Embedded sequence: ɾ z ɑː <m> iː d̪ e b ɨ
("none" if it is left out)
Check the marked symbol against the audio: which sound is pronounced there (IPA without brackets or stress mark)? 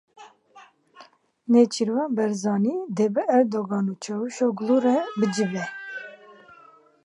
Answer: n